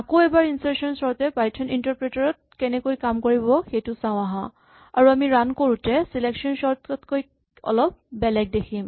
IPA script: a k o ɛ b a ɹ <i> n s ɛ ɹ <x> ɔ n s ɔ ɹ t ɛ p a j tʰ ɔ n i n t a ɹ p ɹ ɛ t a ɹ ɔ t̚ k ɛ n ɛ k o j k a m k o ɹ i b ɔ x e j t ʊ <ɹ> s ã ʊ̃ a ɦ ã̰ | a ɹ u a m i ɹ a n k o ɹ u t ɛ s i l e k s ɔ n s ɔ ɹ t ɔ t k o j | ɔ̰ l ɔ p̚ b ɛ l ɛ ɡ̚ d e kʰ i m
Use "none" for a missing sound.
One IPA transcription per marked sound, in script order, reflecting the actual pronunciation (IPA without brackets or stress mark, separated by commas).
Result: i, s, none